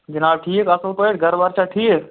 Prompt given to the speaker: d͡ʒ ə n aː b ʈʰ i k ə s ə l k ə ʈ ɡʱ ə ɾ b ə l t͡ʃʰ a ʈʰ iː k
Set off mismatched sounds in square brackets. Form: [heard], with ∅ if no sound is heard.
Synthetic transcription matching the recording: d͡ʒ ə n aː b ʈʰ i k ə s ə l [p] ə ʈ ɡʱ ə ɾ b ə [ɾ] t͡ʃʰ a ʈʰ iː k